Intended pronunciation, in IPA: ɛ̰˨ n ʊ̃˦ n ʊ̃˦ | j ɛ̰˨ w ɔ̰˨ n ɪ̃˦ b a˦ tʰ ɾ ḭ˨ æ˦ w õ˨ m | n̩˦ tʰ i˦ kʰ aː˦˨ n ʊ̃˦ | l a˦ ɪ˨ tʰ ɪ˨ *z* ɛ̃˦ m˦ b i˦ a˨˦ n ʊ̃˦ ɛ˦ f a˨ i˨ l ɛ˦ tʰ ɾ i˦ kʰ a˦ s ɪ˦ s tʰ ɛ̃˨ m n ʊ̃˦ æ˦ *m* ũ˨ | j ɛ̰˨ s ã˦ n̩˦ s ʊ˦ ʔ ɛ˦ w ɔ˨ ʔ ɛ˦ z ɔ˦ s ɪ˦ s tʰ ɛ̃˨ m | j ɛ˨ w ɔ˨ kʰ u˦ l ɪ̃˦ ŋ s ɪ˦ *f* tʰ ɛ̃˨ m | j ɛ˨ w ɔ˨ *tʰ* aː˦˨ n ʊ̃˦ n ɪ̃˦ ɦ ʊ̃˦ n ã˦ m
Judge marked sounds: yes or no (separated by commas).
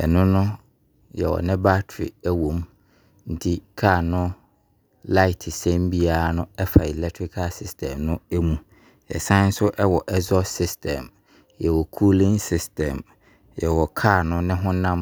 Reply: no, yes, no, no